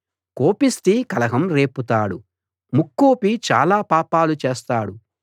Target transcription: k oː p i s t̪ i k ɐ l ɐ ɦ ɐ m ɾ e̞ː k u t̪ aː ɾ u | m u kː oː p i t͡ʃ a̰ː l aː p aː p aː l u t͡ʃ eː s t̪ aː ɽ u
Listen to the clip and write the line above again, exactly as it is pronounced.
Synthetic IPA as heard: k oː p i s t̪ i k ɐ l ɐ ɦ ɐ m ɾ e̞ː p u t̪ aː ɽ u | m u kː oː p i t͡ʃ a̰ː l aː p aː p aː l u t͡ʃ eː s t̪ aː ɽ u